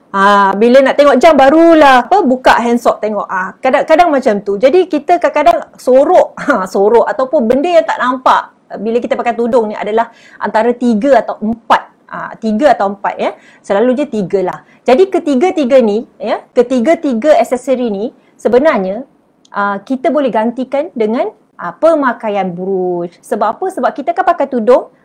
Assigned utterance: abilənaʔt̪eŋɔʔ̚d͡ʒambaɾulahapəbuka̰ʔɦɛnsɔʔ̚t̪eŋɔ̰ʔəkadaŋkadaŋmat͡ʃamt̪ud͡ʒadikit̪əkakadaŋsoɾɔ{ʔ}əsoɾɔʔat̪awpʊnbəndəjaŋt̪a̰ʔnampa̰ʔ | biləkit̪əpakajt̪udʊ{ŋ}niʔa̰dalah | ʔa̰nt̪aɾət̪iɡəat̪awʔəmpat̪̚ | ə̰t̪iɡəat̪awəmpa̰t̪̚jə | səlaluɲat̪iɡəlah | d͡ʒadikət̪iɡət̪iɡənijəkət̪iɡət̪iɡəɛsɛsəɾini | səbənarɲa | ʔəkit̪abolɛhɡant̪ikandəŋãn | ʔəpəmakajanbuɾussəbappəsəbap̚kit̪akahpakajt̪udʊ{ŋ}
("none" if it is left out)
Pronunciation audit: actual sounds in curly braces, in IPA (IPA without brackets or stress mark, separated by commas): ʔ, ŋ, ŋ